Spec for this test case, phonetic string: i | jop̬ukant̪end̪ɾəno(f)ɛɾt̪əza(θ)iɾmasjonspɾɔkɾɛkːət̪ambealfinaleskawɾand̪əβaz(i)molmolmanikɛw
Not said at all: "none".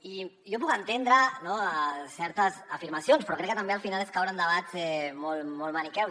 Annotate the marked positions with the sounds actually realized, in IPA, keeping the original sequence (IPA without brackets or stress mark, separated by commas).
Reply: s, f, ɛ